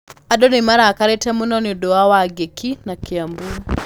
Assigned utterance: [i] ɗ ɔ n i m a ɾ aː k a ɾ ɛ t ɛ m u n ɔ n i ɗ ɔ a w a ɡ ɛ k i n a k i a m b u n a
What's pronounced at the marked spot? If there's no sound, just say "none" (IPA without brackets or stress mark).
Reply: a